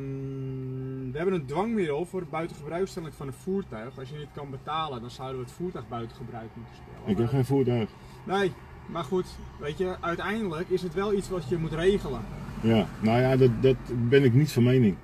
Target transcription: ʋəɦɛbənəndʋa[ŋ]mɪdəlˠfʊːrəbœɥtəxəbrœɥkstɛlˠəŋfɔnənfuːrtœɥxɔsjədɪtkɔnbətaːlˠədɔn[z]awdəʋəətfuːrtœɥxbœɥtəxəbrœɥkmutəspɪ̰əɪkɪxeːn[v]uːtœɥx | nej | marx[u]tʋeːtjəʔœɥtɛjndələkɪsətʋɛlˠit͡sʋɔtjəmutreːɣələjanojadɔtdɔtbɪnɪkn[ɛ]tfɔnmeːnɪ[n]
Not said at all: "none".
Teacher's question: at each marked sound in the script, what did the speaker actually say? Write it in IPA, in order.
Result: ŋ, s, f, u, i, ŋ

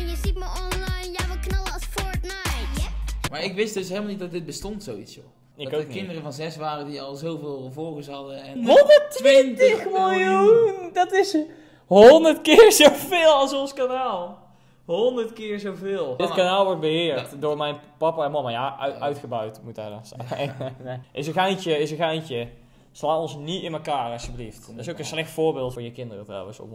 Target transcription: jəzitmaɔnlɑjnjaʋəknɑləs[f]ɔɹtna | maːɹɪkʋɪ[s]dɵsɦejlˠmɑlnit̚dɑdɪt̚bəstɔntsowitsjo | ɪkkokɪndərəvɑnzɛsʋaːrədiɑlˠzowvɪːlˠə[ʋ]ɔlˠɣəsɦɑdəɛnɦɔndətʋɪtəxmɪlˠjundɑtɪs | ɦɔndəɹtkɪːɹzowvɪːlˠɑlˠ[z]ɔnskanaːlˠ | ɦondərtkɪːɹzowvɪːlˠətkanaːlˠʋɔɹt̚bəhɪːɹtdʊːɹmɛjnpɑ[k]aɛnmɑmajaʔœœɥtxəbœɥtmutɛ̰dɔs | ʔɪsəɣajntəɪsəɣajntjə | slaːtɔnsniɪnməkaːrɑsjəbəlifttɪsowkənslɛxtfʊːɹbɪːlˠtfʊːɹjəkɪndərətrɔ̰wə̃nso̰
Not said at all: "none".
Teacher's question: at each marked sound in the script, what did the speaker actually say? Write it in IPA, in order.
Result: f, s, v, s, p

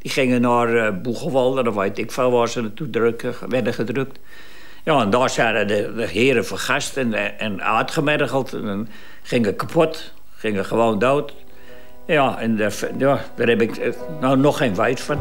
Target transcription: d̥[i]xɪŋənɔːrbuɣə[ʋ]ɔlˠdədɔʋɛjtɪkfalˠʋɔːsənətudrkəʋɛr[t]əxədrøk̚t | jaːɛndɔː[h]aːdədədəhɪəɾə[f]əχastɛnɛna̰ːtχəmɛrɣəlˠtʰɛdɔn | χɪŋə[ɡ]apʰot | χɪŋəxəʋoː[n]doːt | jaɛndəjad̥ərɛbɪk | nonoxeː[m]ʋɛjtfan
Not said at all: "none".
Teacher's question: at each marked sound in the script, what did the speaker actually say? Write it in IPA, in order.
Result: i, ʋ, d, s, f, k, n, n

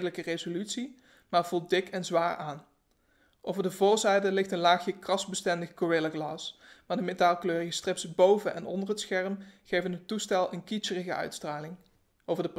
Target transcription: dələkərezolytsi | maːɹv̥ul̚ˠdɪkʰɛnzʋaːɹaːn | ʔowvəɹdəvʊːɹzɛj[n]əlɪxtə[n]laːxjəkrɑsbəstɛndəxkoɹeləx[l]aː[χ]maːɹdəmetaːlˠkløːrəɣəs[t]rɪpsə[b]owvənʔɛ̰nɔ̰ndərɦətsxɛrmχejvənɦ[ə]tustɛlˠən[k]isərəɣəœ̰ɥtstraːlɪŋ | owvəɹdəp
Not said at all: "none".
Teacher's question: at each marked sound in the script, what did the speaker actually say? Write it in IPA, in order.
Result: d, n, l, s, t, b, ə, k

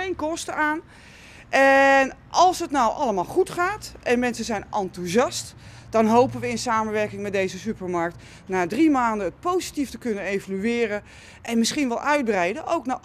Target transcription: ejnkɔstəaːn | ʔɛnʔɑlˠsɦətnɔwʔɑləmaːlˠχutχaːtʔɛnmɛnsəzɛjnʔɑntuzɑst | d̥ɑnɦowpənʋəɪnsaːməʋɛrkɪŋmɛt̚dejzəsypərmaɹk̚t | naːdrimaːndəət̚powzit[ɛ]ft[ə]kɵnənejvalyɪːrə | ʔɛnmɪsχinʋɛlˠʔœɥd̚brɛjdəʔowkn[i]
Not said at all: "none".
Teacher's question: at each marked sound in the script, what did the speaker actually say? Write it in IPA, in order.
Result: i, ə, a

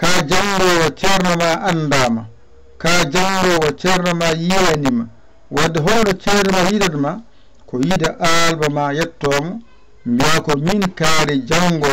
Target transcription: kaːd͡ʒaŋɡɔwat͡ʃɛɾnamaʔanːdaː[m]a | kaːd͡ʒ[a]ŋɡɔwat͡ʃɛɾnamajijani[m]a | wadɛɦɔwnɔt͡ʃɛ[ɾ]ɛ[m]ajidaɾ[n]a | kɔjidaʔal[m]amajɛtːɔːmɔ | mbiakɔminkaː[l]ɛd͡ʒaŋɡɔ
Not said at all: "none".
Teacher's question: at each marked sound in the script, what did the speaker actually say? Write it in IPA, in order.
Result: m, a, m, ɾ, m, m, b, ɾ

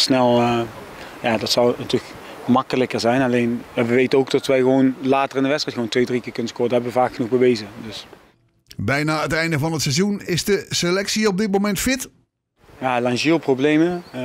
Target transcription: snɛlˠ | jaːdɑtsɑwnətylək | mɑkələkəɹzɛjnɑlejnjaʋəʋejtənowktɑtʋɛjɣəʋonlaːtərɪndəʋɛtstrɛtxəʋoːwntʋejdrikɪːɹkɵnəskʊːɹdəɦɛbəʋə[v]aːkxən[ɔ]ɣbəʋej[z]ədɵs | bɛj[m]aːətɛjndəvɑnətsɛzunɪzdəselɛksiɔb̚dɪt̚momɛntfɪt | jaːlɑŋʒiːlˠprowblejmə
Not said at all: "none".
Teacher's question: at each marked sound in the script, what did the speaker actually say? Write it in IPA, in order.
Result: v, u, z, n

